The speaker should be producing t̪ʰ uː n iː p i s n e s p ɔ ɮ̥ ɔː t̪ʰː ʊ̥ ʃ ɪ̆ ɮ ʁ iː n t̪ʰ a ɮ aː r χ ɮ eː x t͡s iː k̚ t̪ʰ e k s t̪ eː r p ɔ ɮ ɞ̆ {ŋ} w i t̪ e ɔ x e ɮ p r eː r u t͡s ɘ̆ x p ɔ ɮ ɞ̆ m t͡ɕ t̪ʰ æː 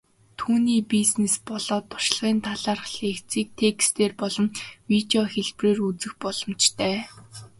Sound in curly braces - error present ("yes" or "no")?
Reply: yes